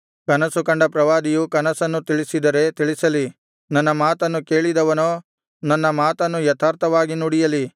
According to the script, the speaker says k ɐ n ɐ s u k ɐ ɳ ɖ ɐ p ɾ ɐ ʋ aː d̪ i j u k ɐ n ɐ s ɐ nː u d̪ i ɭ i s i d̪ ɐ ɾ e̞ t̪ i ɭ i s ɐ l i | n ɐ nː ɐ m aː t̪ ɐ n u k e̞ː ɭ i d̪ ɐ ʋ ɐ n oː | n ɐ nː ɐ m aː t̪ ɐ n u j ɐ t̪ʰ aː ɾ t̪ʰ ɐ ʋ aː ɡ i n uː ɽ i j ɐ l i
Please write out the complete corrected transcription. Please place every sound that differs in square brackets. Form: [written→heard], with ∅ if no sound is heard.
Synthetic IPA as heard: k ɐ n ɐ s u k ɐ ɳ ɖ ɐ p ɾ ɐ ʋ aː d̪ i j u k ɐ n ɐ s ɐ nː u [d̪→t̪] i ɭ i s i d̪ ɐ ɾ e̞ t̪ i ɭ i s ɐ l i | n ɐ nː ɐ m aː t̪ ɐ [n→nː] u k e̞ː ɭ i d̪ ɐ ʋ ɐ n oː | n ɐ nː ɐ m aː t̪ ɐ [n→nː] u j ɐ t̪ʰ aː ɾ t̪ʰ ɐ ʋ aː ɡ i n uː ɽ i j ɐ l i